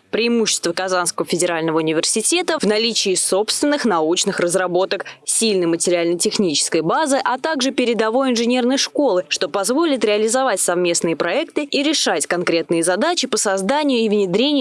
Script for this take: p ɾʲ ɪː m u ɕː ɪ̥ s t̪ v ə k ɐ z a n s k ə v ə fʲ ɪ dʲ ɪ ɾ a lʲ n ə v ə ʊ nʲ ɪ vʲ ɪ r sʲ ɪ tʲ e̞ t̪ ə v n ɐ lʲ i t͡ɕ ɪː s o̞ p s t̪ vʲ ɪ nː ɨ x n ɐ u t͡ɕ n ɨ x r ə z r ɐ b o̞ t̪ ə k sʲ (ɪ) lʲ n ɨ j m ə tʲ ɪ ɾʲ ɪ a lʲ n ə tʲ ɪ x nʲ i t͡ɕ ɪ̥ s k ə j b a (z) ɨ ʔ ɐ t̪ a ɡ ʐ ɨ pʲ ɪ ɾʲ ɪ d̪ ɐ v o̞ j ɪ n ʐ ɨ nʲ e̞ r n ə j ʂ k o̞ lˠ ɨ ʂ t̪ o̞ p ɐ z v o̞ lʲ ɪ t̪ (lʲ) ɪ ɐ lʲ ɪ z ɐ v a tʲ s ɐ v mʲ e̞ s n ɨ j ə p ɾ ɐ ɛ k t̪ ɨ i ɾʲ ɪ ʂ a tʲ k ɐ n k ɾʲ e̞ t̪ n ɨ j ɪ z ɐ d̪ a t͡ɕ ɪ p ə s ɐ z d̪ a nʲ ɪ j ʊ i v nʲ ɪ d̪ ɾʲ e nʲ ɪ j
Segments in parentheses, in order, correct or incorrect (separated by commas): incorrect, correct, incorrect